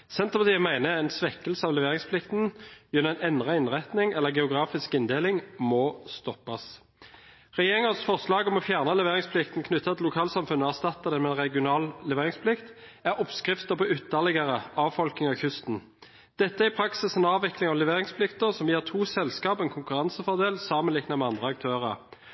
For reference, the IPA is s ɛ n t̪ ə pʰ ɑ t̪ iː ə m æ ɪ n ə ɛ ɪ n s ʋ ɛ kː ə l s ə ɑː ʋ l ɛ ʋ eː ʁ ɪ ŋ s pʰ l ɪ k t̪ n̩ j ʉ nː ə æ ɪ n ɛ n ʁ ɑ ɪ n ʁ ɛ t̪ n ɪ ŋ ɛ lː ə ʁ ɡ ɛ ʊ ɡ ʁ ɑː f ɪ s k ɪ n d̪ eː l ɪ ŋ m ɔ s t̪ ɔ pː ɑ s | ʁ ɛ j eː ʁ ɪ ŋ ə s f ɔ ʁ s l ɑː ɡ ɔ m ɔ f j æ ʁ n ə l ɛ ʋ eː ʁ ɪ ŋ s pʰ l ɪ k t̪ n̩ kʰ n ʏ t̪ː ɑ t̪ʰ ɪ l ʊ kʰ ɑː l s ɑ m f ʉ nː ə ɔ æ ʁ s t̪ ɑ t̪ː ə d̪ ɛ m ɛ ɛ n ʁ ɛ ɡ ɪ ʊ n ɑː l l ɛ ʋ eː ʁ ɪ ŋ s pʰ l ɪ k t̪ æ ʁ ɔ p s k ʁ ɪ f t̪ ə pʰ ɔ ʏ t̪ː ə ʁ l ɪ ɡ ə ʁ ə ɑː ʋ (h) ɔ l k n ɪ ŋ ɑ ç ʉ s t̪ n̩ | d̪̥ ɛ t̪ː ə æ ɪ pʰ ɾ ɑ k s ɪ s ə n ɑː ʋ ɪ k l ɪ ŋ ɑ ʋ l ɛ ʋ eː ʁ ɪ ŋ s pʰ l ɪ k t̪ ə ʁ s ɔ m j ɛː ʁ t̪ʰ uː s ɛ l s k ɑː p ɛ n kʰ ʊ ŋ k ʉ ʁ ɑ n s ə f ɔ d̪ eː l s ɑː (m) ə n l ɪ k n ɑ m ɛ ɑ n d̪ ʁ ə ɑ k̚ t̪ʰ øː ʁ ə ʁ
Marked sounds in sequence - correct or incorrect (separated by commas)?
incorrect, correct